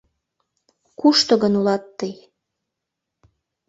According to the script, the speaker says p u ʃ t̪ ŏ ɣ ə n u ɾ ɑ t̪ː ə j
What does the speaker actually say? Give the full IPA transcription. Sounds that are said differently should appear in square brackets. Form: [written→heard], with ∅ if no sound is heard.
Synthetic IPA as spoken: [p→k] u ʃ t̪ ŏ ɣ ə n u [ɾ→l] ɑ t̪ː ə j